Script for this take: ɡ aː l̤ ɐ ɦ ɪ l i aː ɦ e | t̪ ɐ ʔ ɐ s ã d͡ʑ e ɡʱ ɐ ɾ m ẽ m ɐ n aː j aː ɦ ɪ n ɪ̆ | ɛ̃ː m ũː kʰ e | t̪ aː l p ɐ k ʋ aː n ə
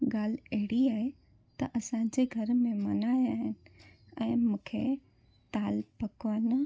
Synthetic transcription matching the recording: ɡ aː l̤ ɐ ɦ ɪ ɽ i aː ɦ e | t̪ ɐ ʔ ɐ s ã d͡ʑ e ɡʱ ɐ ɾ m ẽ m ɐ n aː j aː ɦ ɪ n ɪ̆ | ɛ̃ː m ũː kʰ e | t̪ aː l p ɐ k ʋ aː n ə